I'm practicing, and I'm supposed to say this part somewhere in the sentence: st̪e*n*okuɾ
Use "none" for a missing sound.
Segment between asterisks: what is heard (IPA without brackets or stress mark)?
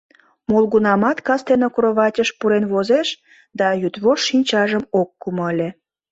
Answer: n